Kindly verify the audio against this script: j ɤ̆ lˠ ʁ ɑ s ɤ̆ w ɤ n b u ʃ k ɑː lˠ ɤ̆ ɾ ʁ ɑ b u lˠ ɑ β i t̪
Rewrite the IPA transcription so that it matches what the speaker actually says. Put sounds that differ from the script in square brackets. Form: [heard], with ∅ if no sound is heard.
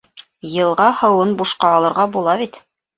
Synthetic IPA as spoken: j ɤ̆ lˠ ʁ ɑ [h] ɤ̆ w ɤ n b u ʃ [q] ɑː lˠ ɤ̆ ɾ ʁ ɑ b u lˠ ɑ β i t̪